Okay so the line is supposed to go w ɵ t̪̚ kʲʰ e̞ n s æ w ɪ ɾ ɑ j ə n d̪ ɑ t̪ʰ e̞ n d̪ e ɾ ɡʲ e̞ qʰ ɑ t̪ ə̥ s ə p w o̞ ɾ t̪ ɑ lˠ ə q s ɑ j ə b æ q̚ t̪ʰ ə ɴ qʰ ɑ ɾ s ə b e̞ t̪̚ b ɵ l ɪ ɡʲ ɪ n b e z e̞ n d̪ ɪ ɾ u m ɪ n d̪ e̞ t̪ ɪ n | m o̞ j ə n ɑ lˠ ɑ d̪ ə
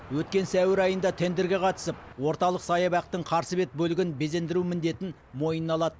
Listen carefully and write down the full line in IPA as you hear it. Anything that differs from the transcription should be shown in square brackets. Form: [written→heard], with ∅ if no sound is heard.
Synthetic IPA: w ɵ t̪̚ [kʲʰ→kʲ] e̞ n s æ w ɪ ɾ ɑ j ə n d̪ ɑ t̪ʰ e̞ n d̪ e ɾ ɡʲ e̞ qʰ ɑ t̪ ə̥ s ə p w o̞ ɾ t̪ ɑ lˠ ə q s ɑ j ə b æ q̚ [t̪ʰ→t̪] ə ɴ qʰ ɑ ɾ s ə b e̞ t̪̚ b ɵ l ɪ ɡʲ ɪ n b e z e̞ n d̪ ɪ ɾ u m ɪ n d̪ e̞ t̪ ɪ n | m o̞ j ə n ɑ lˠ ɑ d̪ ə